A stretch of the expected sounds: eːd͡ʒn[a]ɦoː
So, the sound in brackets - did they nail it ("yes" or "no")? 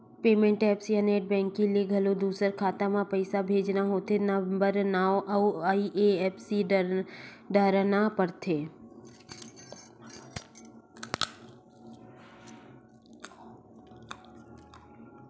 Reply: yes